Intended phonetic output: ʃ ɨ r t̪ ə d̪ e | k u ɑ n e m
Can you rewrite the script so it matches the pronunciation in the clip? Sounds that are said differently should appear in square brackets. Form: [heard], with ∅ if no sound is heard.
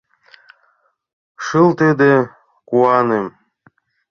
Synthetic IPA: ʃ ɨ [l] t̪ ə d̪ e | k u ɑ n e m